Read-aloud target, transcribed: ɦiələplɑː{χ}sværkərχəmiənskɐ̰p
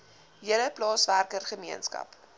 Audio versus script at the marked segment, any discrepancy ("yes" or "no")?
yes